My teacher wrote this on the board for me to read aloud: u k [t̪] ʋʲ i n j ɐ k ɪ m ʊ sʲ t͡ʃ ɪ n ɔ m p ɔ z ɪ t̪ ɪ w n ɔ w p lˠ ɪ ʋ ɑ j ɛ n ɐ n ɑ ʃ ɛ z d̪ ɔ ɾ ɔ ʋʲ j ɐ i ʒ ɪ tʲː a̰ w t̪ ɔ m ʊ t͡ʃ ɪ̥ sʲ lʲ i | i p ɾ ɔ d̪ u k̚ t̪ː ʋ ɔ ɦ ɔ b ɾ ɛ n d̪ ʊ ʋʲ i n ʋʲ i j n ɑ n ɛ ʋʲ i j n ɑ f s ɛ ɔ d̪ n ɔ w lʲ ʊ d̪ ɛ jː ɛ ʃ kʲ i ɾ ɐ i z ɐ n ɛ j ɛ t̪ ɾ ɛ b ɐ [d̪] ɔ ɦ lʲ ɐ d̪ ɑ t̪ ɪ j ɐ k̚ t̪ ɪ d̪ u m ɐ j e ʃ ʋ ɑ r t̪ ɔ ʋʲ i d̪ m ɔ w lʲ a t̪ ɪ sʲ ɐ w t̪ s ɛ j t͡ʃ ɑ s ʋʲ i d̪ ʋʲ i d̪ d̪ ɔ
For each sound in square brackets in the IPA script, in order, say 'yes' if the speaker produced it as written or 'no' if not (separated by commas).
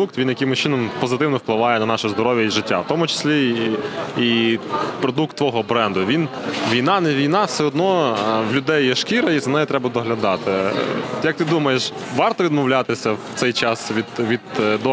yes, yes